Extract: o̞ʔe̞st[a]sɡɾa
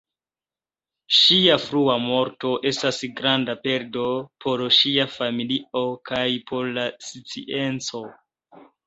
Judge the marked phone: correct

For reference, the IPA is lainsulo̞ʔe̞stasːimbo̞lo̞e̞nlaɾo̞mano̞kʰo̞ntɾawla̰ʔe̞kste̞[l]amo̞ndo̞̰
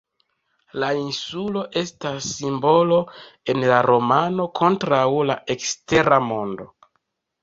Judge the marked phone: incorrect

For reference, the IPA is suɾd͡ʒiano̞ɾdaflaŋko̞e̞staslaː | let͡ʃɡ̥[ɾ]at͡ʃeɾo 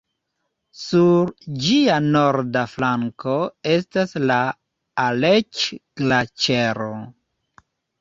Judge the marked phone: incorrect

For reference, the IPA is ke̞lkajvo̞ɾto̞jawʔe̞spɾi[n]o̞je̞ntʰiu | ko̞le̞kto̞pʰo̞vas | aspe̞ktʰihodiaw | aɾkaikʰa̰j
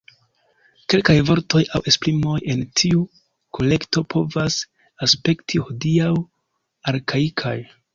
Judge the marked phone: incorrect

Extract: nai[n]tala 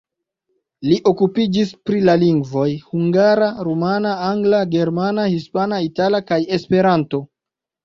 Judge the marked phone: incorrect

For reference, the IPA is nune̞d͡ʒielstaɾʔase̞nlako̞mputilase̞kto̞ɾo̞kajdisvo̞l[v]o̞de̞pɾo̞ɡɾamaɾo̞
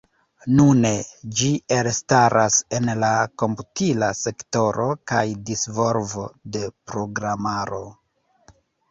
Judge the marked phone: correct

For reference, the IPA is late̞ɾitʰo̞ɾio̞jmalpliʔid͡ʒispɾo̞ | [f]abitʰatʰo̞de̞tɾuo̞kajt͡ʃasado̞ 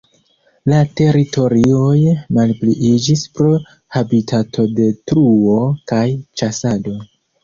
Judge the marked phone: incorrect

